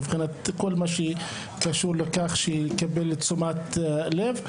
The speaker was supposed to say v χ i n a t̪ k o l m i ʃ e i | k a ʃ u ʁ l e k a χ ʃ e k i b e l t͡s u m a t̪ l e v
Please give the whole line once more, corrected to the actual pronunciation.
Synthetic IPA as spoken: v χ i n a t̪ k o l m a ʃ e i | k a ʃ u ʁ l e k a χ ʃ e k a b e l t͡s u m a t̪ l e v